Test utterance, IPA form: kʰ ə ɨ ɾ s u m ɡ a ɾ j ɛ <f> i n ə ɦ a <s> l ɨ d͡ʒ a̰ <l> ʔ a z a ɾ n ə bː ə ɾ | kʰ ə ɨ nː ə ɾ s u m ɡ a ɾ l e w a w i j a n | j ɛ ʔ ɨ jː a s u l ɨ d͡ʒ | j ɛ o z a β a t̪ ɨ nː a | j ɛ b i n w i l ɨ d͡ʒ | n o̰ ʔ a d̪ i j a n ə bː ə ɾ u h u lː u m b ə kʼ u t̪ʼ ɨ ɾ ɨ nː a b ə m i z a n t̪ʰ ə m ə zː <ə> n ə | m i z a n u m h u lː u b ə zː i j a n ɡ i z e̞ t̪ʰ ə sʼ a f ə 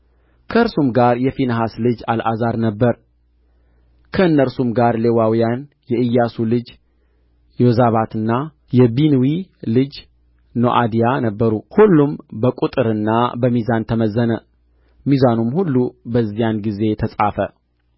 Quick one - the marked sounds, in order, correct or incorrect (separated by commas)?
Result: correct, correct, correct, correct